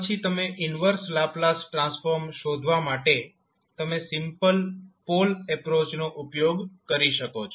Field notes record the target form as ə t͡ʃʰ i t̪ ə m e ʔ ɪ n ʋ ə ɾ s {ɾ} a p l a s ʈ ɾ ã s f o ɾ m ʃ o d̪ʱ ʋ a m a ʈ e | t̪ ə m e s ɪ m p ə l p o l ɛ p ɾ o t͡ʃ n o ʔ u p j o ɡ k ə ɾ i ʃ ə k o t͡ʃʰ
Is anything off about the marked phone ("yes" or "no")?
yes